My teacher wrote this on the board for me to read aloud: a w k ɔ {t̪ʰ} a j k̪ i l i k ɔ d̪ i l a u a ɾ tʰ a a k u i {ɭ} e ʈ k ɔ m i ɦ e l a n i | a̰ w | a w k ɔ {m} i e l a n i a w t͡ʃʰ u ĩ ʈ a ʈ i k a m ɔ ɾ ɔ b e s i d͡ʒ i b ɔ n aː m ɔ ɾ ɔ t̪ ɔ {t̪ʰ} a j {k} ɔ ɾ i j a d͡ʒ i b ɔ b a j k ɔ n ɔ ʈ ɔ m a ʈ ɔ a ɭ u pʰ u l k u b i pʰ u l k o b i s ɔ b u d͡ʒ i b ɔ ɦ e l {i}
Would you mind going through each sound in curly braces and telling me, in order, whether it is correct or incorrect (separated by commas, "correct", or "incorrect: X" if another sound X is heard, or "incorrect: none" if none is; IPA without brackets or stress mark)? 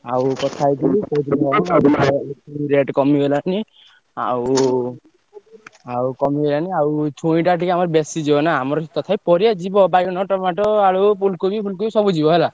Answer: correct, incorrect: ɾ, correct, correct, incorrect: p, incorrect: a